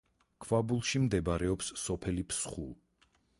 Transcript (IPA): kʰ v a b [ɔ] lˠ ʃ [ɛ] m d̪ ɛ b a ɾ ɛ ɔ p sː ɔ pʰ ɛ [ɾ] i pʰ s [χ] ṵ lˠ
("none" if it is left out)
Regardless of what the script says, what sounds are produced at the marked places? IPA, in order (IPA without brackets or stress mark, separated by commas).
u, i, l, χ